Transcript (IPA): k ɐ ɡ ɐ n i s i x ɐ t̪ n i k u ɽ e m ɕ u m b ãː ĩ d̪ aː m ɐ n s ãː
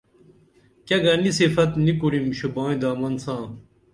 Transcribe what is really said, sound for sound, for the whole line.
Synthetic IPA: k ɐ ɡ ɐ n i s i f ɐ t̪ n i k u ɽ i m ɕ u b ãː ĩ d̪ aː m ɐ n s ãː